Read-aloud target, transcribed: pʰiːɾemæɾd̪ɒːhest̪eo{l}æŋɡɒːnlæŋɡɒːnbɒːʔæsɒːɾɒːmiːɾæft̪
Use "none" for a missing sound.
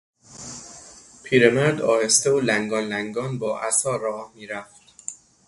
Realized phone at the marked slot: l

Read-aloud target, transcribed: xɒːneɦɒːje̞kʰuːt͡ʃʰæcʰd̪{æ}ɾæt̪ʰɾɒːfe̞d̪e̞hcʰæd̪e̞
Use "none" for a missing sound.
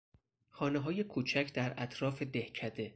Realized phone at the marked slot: æ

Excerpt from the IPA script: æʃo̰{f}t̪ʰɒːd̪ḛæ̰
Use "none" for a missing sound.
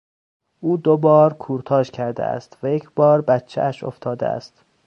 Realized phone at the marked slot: f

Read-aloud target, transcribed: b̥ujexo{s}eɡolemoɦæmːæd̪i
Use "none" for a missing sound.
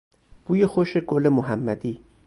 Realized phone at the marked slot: ʃ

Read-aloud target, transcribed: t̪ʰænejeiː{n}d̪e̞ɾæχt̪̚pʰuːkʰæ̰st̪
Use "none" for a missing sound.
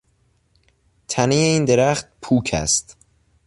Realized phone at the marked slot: n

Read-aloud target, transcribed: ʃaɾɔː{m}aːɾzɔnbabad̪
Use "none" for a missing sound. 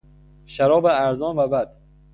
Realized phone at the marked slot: b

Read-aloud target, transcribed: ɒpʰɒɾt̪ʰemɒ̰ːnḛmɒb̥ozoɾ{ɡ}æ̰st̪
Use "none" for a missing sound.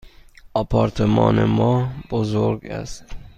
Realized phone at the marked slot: ɡ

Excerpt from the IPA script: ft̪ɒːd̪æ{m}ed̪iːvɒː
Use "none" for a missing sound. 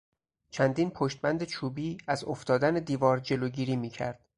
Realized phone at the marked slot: n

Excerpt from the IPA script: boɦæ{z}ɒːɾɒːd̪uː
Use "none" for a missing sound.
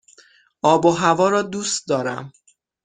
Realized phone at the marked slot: v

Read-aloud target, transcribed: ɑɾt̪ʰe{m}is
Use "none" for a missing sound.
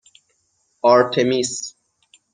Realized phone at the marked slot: m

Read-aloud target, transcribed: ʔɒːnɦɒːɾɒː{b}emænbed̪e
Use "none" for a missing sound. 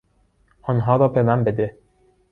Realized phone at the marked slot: b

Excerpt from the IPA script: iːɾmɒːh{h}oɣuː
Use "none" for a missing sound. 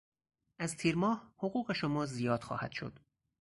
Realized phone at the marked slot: h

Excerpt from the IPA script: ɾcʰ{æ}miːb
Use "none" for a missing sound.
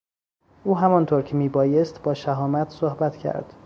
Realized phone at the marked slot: e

